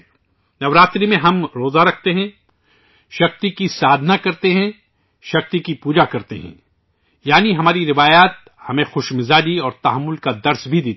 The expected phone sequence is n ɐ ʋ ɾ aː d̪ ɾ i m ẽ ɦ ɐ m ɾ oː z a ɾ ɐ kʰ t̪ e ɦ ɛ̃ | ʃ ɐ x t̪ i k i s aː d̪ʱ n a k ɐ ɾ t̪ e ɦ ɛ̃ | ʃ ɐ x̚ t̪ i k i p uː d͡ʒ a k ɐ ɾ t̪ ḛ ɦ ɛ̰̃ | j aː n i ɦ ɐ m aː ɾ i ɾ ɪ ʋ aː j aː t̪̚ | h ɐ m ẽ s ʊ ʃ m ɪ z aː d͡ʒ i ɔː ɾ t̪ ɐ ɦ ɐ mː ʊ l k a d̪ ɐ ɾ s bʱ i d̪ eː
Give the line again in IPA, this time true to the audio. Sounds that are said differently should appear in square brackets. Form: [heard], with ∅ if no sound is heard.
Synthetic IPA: n ɐ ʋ ɾ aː [t̪] ɾ i m ẽ ɦ ɐ m ɾ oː z a ɾ ɐ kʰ t̪ e ɦ ɛ̃ | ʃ ɐ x t̪ i k i s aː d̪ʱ n a k ɐ ɾ t̪ e ɦ ɛ̃ | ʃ ɐ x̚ t̪ i k i p uː d͡ʒ a k ɐ ɾ t̪ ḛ ɦ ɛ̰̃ | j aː n i ɦ ɐ m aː ɾ i ɾ ɪ ʋ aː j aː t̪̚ | h ɐ m ẽ [x] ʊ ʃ m ɪ z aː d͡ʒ i ɔː ɾ t̪ ɐ ɦ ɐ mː ʊ l k a d̪ ɐ ɾ s bʱ i d̪ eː